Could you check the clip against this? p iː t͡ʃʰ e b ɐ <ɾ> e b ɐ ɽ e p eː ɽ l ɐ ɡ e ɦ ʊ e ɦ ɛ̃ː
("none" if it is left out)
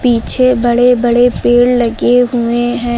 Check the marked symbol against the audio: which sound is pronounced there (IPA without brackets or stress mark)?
ɽ